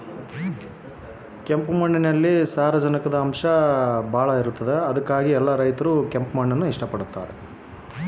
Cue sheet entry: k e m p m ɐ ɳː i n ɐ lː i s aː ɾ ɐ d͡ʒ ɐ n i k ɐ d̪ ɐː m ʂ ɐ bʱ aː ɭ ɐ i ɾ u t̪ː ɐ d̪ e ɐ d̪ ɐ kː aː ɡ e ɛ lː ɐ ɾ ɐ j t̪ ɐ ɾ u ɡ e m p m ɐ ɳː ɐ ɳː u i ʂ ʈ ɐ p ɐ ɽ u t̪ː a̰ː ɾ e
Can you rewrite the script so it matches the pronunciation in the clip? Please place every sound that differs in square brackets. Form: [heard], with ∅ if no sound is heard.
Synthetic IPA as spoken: k e m p m ɐ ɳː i n ɐ lː i s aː ɾ ɐ d͡ʒ ɐ n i k ɐ d̪ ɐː m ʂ ɐ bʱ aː ɭ ɐ i ɾ u t̪ː ɐ d̪ e ɐ d̪ ɐ kː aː ɡ [i] ɛ lː ɐ ɾ ɐ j t̪ ɐ ɾ u [k] e m p m ɐ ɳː ɐ [nː] u i ʂ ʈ ɐ p ɐ ɽ u t̪ː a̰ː ɾ e